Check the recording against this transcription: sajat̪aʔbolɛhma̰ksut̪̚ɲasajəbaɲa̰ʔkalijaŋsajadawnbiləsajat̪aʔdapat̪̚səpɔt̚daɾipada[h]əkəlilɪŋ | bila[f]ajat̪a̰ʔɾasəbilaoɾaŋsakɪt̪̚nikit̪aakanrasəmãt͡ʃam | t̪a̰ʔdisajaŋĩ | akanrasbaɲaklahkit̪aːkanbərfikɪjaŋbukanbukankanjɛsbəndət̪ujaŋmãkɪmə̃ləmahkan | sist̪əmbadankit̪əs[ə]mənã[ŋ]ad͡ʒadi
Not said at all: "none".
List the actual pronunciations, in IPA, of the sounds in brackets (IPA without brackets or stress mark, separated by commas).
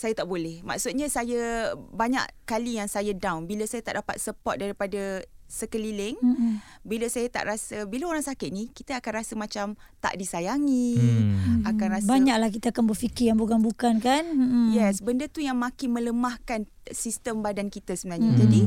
s, s, ə, ɲ